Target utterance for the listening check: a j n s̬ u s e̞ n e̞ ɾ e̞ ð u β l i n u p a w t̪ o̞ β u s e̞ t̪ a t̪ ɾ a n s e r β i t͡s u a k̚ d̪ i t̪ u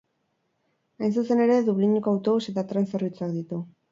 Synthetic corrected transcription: a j n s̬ u s e̞ n e̞ ɾ e̞ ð u β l i ɲ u k a w t̪ o̞ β u s e̞ t̪ a t̪ ɾ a n s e r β i t͡s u a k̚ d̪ i t̪ u

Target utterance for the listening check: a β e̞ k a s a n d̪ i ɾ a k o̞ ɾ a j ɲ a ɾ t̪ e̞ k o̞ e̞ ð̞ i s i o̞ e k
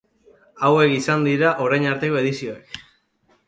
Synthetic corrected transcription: a w e̞ k i s a n d̪ i ɾ a ʔ o̞ ɾ a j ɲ a ɾ t̪ e̞ k o̞ e̞ ð̞ i s i o̞ e k

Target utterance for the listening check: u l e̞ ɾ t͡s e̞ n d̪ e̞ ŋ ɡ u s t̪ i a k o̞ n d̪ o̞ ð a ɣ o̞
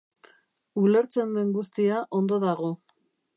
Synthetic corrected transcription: u l e̞ ɾ t͡s e̞ n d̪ e̞ ŋ ɡ u s t̪ i a ʔ o̞ n d̪ o̞ ð a ɣ o̞

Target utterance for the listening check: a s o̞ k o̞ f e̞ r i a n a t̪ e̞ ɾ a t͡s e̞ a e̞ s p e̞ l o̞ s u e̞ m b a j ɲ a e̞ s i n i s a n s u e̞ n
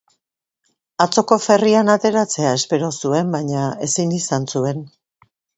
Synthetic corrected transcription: a t͡s o̞ k o̞ f e̞ r i a n a t̪ e̞ ɾ a t͡s e̞ a e̞ s p e̞ ɾ o̞ s u e̞ m b a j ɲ a e̞ s i n i s a n s u e̞ n

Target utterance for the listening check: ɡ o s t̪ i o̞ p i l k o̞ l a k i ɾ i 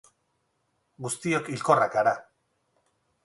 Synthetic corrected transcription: ɡ u s t̪ i o̞ k i l k o̞ r a k a ɾ a

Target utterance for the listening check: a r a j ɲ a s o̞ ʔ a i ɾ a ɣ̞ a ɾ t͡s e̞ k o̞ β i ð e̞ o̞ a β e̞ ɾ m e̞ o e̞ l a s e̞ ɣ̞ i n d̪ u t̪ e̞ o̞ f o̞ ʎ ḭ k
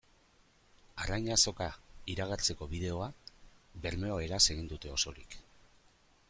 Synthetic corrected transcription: a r a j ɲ a s o̞ k a i ɾ a ɣ̞ a ɾ t͡s e̞ k o̞ β i ð e̞ o̞ a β e̞ ɾ m e̞ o e̞ ɾ a s e̞ ɣ̞ i n d̪ u t̪ e̞ o̞ s o̞ ɾ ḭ k

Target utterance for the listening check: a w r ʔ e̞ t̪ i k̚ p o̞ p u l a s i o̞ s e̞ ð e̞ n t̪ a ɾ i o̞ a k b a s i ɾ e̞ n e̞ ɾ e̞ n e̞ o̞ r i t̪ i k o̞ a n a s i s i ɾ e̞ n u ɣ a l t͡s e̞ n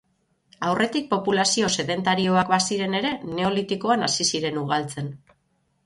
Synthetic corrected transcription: a w r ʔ e̞ t̪ i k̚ p o̞ p u l a s i o̞ s e̞ ð e̞ n t̪ a ɾ i o̞ a k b a s i ɾ e̞ n e̞ ɾ e̞ n e̞ o̞ l i t̪ i k o̞ a n a s i s i ɾ e̞ n u ɣ a l t͡s e̞ n

